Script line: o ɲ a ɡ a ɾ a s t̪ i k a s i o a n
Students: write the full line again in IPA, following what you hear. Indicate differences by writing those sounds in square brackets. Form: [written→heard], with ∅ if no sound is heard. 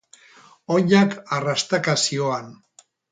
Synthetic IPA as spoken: o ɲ a [ɡ→k] a [ɾ→r] a s t̪ [i→a] k a s i o a n